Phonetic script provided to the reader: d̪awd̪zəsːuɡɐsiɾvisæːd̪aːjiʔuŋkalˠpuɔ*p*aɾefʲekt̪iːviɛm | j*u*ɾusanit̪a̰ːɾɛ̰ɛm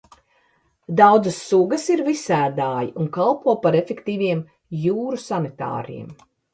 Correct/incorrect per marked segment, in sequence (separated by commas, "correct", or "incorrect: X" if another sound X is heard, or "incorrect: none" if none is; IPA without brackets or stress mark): correct, incorrect: uː